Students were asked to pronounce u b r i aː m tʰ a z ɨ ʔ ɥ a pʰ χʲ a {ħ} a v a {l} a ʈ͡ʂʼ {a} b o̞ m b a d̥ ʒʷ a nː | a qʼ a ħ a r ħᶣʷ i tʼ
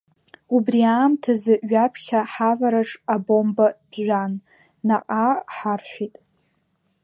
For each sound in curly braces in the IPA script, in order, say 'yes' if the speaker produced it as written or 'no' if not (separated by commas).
yes, no, yes